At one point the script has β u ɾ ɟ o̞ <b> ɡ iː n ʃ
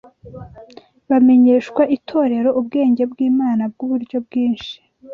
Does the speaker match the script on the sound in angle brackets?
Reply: yes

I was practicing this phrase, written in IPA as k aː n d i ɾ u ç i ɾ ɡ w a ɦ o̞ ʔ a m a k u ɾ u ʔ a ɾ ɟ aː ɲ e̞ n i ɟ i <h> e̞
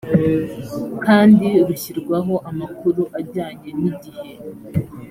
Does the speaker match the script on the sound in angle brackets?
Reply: yes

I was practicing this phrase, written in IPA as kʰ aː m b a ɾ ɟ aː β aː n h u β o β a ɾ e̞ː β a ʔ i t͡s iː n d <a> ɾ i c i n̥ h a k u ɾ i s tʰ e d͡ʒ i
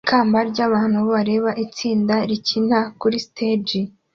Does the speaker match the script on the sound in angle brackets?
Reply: yes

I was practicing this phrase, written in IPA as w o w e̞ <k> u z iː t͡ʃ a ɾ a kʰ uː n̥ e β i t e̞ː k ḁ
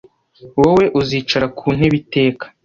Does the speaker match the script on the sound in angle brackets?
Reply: no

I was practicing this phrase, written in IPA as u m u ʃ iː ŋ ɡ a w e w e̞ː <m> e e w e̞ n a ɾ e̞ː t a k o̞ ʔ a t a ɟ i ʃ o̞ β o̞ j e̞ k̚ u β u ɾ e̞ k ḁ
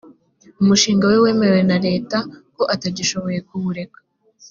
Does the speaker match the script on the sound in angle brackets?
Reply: yes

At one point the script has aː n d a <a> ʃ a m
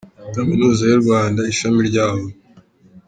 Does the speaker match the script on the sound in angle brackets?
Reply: no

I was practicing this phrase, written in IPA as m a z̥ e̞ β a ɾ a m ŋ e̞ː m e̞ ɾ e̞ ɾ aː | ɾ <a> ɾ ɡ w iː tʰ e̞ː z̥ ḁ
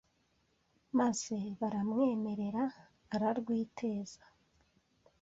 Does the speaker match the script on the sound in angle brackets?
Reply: yes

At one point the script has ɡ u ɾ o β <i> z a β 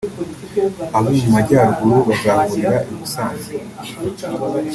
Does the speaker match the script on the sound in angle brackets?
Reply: no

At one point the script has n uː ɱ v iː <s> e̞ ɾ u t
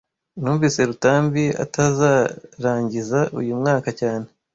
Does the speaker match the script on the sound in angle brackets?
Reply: yes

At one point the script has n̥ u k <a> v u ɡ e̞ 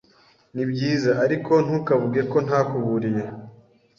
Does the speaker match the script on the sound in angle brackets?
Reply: yes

